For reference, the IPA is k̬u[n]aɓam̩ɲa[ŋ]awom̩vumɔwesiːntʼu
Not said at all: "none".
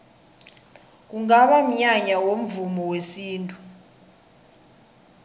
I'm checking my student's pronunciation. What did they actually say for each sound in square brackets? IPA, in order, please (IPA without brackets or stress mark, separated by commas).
ŋ, ɲ